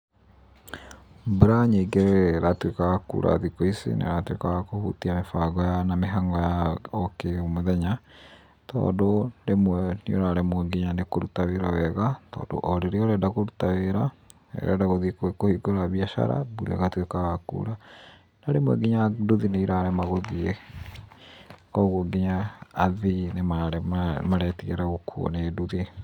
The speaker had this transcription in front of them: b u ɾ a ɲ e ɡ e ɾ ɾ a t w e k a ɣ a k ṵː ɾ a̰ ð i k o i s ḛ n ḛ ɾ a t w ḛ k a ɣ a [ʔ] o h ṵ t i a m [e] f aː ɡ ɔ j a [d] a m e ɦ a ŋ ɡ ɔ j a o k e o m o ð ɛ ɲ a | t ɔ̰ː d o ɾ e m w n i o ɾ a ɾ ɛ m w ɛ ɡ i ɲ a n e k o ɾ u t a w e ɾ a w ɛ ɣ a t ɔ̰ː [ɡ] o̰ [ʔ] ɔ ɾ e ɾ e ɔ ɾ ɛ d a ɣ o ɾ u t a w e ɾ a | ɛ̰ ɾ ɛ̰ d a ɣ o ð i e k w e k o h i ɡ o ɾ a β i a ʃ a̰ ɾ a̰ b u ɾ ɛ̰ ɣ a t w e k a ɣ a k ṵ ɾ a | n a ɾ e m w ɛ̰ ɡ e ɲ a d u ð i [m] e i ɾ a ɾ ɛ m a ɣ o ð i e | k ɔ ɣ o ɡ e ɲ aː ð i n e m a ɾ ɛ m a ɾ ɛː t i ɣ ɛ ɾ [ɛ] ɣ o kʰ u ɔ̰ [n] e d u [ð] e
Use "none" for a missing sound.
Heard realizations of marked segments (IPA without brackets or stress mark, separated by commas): k, e, n, d, ʔ, n, a, n, ð